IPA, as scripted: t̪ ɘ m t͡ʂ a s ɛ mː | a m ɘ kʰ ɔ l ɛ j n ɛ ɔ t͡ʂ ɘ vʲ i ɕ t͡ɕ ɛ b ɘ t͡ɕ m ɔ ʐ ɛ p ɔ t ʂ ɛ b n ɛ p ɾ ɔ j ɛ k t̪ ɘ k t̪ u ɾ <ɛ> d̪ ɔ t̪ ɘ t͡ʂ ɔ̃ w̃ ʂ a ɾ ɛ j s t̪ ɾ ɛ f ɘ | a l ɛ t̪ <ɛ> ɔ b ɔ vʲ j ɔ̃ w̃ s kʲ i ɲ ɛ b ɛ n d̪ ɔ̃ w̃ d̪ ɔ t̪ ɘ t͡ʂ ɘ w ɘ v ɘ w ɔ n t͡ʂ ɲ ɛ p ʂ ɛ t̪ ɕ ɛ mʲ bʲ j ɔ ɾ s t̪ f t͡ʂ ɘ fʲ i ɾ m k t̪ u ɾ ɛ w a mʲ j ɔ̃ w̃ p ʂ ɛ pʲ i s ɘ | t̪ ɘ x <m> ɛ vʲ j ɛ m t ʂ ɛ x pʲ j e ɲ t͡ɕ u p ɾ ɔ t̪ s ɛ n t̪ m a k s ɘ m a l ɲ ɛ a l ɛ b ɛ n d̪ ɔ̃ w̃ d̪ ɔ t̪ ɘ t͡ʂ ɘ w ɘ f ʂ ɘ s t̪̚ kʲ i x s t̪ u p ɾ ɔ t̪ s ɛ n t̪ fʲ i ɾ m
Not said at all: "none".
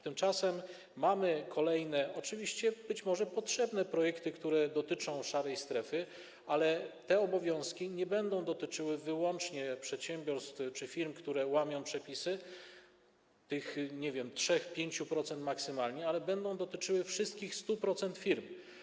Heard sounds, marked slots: ɛ, ɛ, ɲ

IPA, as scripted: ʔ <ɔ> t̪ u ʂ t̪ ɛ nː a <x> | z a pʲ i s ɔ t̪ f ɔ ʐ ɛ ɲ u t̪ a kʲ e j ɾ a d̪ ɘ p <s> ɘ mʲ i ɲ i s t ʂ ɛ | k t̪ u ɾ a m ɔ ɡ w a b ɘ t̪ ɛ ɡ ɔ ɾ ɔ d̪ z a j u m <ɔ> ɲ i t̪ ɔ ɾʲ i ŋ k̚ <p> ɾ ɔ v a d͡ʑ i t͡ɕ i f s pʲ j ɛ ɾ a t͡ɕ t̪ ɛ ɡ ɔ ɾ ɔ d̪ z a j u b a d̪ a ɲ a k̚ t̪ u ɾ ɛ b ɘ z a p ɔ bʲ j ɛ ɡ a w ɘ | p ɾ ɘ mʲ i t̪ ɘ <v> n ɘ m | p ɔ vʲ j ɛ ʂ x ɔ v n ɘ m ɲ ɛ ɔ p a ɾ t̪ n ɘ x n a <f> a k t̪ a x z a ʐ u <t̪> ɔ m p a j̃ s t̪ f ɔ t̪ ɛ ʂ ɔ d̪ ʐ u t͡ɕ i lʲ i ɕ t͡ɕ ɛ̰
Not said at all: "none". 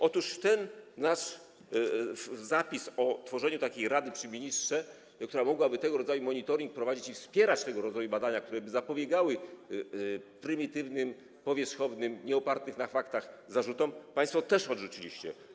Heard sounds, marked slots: ɔ, ʂ, ʂ, ɔ, p, v, f, t̪

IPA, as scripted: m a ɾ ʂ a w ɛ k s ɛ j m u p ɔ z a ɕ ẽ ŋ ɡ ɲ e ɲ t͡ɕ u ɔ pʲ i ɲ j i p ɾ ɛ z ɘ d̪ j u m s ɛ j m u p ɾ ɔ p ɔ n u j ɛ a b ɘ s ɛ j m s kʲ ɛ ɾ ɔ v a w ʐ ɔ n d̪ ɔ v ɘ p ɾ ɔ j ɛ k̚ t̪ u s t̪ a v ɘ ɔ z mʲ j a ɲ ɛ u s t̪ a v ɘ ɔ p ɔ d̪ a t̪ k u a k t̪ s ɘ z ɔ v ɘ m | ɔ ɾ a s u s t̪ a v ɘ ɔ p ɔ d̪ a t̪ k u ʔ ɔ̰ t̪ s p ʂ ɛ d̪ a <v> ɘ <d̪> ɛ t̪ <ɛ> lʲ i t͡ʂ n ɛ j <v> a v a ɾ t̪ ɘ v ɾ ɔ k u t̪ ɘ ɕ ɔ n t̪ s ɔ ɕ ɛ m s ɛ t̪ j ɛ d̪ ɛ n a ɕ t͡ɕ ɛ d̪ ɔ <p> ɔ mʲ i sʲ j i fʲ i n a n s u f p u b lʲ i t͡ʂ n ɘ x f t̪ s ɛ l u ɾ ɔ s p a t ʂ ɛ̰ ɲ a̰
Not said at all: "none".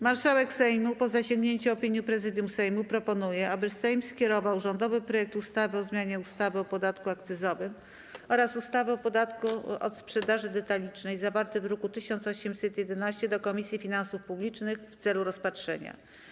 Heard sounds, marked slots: ʐ, d̪, a, z, k

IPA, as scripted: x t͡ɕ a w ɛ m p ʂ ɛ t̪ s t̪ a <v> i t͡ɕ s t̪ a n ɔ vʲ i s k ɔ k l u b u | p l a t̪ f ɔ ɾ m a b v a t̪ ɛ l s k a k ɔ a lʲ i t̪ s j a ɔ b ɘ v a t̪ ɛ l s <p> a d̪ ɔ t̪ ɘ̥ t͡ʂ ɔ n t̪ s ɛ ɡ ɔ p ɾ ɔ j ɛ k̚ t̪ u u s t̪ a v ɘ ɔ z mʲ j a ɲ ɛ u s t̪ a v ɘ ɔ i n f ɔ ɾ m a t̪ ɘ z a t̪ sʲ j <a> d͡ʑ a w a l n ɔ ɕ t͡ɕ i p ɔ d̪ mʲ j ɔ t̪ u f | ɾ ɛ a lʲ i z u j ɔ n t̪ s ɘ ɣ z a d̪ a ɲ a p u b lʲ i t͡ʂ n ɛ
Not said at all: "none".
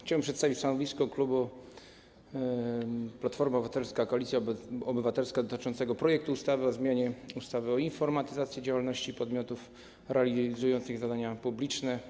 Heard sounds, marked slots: v, k, ɛ

